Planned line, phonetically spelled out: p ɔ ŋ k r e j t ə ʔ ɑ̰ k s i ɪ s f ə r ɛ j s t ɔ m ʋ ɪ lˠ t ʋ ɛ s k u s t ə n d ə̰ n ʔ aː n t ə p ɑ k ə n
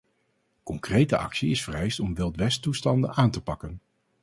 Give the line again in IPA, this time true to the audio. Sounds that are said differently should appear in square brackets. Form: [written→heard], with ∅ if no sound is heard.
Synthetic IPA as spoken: [p→k] ɔ ŋ k r e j t ə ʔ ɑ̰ k s i ɪ s f ə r ɛ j s t ɔ m ʋ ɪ lˠ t ʋ ɛ s [k→t] u s t [ə→ɑ] n d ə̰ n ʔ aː n t ə p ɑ k ə n